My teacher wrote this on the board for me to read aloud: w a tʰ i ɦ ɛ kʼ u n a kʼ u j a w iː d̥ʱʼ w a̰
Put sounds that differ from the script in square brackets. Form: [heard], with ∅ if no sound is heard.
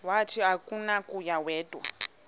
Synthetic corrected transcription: w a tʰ i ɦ [a] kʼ u n a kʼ u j a w [ɛː] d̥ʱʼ w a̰

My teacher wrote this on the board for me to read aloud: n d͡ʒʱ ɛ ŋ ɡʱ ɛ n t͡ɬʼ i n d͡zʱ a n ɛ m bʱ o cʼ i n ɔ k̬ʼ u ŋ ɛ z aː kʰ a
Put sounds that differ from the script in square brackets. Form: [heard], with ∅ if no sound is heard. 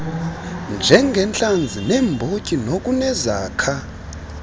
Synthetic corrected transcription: n d͡ʒʱ ɛ ŋ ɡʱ ɛ n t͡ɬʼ [a] n d͡zʱ [i] n ɛ m bʱ o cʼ i n [o] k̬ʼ u [n] ɛ z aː kʰ a

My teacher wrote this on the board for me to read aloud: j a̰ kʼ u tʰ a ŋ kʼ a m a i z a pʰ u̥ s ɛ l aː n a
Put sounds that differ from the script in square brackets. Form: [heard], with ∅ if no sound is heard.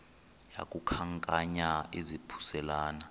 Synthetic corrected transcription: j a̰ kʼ u [kʰ] a ŋ kʼ a [ɲ] a i z [i] pʰ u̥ s ɛ l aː n a

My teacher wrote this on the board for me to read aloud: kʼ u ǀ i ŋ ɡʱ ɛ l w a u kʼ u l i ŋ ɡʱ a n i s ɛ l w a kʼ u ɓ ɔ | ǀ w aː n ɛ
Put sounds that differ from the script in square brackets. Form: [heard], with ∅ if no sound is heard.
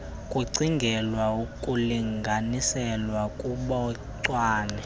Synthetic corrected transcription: kʼ u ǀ i ŋ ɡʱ ɛ l w a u kʼ u l i ŋ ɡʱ a n i s ɛ l w a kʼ u ɓ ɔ | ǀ w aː n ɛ

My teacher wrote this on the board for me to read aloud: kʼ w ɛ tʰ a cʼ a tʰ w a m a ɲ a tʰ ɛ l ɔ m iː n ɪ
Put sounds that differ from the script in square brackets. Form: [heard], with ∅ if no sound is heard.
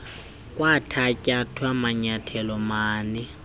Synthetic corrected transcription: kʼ w [a] tʰ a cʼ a tʰ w a m a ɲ a tʰ ɛ l ɔ m [aː] n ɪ

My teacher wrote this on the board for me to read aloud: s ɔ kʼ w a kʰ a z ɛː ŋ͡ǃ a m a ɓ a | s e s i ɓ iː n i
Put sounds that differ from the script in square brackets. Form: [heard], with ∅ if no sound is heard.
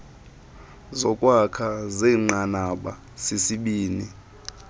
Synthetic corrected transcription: [z] ɔ kʼ w a kʰ a z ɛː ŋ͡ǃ a [n] a ɓ a | s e s i ɓ iː n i

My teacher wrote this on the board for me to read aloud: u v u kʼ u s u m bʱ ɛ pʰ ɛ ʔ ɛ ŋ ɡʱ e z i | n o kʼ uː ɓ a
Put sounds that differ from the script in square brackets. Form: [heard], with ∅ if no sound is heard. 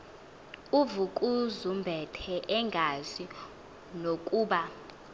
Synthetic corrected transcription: u v u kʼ u [z] u m bʱ ɛ [tʰ] ɛ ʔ ɛ ŋ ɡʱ [a] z i | n o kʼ uː ɓ a

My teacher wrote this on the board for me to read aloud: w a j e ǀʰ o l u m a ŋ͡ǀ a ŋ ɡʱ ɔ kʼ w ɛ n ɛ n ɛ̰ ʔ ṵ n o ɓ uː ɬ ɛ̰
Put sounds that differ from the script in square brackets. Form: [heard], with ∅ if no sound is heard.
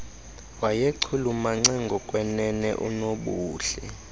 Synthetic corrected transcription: w a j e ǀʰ [u] l u m a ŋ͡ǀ a ŋ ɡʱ ɔ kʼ w ɛ n ɛ n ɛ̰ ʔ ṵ n o ɓ uː ɬ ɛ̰

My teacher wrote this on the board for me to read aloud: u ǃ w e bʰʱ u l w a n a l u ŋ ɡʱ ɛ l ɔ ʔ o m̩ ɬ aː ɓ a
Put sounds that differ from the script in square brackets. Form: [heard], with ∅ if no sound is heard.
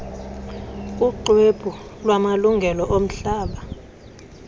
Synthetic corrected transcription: u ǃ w e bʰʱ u l w a [m] a l u ŋ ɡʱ ɛ l ɔ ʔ o m̩ ɬ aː ɓ a

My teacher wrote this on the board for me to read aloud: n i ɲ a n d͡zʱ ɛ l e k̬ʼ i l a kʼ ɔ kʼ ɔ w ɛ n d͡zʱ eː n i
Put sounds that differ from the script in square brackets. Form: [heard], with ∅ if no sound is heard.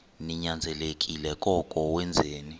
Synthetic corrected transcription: n i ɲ a n d͡zʱ ɛ l e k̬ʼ i l [ɛ] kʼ ɔ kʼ ɔ w ɛ n d͡zʱ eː n i

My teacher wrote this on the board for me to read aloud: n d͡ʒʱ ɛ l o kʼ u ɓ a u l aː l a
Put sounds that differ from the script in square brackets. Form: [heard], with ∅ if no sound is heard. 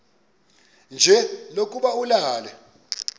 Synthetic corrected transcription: n d͡ʒʱ ɛ l o kʼ u ɓ a u l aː l [ɛ]

